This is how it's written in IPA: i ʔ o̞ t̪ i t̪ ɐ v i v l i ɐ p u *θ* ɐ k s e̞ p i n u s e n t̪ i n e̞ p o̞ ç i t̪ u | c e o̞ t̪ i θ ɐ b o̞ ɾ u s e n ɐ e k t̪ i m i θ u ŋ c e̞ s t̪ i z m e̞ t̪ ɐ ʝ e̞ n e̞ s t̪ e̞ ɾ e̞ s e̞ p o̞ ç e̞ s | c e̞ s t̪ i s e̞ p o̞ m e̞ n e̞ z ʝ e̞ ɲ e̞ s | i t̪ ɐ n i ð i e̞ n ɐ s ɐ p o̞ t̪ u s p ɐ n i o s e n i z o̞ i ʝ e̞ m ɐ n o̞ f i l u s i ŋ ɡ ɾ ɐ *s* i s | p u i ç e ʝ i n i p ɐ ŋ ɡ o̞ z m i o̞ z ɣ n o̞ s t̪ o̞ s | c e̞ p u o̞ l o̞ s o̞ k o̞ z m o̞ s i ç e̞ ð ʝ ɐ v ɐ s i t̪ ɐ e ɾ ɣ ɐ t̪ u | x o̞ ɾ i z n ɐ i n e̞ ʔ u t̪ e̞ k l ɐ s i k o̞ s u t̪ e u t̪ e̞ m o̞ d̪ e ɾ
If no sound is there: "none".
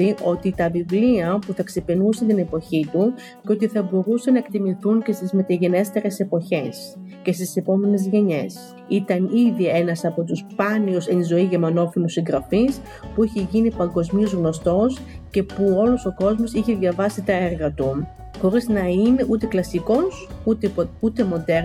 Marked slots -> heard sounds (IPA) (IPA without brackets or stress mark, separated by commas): θ, f